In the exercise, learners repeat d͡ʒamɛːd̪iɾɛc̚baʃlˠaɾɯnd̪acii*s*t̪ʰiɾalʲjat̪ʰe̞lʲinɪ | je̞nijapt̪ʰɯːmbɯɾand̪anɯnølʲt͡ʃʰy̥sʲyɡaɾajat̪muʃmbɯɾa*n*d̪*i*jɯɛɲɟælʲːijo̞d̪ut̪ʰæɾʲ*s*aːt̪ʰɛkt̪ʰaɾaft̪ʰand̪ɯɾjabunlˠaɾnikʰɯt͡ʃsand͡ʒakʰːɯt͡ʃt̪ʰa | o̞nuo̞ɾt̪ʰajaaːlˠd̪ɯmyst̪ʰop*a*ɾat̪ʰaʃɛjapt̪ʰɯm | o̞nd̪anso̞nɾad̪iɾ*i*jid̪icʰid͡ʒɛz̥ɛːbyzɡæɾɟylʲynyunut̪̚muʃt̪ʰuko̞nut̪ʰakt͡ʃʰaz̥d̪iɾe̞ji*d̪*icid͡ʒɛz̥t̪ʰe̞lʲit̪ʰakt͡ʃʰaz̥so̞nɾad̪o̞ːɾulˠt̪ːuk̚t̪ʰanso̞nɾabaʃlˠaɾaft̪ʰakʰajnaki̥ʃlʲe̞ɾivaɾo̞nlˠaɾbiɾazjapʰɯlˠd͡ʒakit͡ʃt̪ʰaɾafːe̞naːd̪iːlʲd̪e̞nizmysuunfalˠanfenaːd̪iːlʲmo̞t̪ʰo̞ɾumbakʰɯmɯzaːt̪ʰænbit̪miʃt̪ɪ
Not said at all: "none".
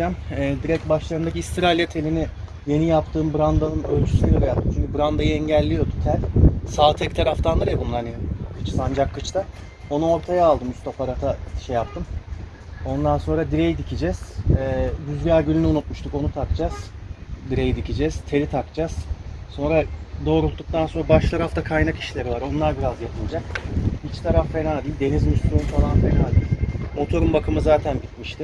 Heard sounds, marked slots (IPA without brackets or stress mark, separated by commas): s, n, a, s, a, e, d̪